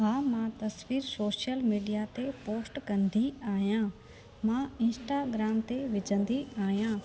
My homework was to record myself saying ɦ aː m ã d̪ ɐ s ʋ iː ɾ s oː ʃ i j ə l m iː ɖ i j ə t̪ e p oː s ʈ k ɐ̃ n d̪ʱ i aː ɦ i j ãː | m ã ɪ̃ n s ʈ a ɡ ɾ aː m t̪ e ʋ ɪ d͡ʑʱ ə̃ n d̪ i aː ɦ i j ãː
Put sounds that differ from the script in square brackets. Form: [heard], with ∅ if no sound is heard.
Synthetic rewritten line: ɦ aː m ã [t̪] ɐ s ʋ iː ɾ s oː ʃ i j ə l m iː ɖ i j [a] t̪ e p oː s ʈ k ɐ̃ n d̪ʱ i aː ɦ i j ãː | m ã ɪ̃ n s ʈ a ɡ ɾ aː m t̪ e ʋ ɪ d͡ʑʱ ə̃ n d̪ i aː ɦ i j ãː